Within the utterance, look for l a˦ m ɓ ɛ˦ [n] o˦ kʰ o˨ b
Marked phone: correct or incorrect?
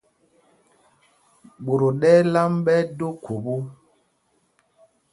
incorrect